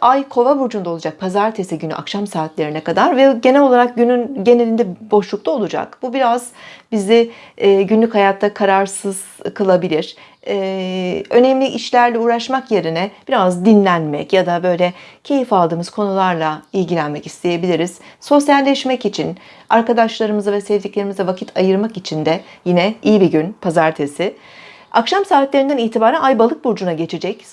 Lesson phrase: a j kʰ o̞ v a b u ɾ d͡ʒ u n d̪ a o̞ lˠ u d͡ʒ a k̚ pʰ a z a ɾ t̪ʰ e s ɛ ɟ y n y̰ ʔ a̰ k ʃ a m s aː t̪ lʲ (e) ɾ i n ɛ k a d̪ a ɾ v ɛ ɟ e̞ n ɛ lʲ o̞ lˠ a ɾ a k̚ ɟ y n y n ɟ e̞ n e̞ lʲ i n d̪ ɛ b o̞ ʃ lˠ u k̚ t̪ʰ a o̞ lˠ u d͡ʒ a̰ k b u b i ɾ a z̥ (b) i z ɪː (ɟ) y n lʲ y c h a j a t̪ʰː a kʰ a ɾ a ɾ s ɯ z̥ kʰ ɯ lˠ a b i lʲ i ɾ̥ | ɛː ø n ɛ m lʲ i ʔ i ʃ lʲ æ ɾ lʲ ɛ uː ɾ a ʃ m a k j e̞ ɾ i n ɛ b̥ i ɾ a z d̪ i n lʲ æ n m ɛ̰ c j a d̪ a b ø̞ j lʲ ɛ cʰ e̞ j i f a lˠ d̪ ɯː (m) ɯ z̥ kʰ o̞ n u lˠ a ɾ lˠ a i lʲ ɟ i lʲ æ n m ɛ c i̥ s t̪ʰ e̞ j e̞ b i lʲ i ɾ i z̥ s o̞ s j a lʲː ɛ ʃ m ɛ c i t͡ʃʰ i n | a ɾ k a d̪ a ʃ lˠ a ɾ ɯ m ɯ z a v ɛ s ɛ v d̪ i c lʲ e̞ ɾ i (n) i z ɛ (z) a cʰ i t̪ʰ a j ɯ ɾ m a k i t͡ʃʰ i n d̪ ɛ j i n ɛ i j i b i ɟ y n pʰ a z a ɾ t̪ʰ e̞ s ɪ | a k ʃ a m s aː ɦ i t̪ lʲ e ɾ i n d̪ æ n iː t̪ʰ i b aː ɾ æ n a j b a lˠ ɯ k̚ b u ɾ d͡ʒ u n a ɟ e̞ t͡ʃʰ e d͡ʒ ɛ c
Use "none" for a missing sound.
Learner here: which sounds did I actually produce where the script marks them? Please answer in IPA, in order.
e, b, ɟ, m, m, v

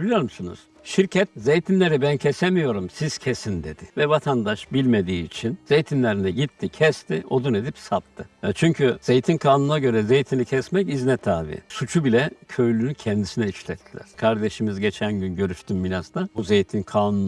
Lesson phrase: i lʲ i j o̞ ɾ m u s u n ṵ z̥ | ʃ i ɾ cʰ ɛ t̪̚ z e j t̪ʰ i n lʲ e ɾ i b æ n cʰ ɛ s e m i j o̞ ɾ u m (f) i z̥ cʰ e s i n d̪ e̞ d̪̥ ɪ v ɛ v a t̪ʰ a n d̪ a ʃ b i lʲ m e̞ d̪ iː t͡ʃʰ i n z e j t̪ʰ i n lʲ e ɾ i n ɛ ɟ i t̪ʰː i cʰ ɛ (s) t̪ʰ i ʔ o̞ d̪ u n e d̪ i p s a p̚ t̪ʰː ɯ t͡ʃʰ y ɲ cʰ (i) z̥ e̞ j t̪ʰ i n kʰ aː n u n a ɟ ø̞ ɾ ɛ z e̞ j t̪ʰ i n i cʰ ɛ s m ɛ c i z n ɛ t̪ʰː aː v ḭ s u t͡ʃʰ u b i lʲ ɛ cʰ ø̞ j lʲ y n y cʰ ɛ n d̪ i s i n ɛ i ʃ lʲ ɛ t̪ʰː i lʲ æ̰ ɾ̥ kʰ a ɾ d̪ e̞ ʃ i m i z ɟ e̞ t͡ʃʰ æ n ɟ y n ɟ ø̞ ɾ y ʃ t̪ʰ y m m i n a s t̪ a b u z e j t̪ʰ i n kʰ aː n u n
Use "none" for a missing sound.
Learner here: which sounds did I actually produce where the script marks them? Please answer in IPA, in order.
s, s, y

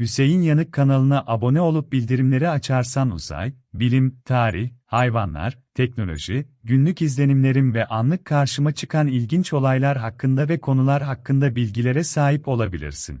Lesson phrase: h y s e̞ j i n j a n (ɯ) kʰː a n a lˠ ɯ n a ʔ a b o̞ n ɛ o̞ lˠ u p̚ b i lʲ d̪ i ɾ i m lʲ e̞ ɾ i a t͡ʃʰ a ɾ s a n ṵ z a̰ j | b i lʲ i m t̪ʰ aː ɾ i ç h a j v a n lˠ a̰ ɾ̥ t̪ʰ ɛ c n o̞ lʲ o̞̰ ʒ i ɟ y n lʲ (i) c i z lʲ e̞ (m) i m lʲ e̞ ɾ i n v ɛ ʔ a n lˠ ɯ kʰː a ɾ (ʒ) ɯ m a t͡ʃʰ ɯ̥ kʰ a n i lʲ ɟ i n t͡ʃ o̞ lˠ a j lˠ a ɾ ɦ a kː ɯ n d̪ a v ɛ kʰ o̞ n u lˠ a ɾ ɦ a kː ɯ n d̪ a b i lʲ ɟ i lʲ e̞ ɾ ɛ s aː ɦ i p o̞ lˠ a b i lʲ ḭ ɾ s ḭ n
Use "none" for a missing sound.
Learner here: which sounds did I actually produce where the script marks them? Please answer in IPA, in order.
ɯ, y, n, ʃ

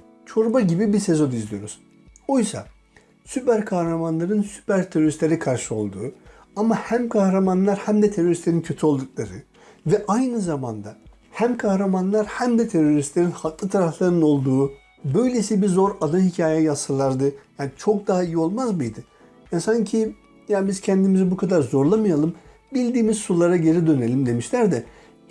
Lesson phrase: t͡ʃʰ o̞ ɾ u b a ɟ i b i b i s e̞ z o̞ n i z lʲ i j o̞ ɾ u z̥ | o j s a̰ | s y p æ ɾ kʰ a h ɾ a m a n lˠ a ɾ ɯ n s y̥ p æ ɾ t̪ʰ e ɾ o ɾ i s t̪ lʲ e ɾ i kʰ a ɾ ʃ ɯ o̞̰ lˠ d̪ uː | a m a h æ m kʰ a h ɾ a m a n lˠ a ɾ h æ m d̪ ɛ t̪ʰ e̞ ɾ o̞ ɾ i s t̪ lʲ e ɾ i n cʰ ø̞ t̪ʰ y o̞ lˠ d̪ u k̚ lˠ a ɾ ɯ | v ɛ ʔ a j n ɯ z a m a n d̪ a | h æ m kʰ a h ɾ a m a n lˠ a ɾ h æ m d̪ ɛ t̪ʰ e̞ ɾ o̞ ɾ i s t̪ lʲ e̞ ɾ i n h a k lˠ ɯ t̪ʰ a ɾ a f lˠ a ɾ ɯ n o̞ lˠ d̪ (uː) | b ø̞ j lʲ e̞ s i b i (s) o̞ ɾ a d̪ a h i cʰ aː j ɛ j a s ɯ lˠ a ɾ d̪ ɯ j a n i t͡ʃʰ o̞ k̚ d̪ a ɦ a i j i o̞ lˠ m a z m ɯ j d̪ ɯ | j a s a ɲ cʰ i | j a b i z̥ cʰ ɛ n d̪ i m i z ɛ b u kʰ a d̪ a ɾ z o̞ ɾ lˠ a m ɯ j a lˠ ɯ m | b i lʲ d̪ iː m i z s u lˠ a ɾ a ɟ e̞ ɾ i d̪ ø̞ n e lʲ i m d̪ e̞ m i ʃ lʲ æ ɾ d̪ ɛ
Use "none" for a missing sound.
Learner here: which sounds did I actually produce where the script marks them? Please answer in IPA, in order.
uː, z

